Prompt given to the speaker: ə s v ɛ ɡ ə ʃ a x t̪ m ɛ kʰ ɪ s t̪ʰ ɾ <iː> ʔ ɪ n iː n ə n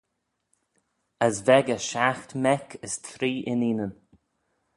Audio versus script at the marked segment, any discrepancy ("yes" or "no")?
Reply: no